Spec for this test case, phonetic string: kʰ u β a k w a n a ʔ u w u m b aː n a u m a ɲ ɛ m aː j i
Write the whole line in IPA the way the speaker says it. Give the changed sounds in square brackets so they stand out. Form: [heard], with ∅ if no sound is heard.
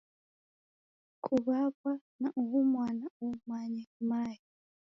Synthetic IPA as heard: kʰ u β a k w a n a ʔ u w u m [w] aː n a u m a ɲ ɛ m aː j i